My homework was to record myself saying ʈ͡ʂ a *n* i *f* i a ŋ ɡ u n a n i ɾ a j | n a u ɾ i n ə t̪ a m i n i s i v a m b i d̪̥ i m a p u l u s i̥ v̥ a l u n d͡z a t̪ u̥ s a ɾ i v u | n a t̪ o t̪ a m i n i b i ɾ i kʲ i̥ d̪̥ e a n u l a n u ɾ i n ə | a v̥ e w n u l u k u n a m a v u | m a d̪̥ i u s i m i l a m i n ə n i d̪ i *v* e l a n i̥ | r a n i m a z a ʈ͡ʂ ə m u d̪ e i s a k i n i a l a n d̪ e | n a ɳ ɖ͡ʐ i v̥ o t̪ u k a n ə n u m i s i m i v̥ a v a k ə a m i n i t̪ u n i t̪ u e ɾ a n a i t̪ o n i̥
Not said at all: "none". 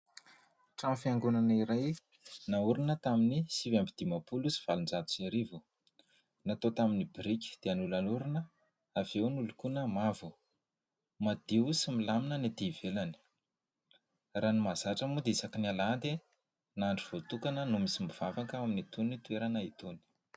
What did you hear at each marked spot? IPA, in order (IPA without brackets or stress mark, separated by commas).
m, f, v